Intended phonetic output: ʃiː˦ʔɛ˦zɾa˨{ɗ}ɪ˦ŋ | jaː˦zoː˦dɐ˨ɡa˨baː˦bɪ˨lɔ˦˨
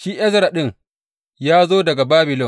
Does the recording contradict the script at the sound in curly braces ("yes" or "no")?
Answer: no